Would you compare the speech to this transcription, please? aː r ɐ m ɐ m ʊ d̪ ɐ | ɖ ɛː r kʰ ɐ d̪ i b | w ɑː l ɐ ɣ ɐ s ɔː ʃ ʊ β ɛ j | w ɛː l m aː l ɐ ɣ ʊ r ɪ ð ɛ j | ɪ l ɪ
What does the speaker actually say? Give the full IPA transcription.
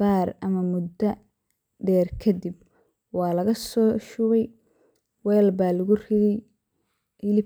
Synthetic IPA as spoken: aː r ɐ m ɐ m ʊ d̪ ɐ | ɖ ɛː r kʰ ɐ d̪ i b | w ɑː l ɐ ɣ ɐ s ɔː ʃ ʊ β ɛ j | w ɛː l b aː l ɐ ɣ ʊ r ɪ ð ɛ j | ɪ l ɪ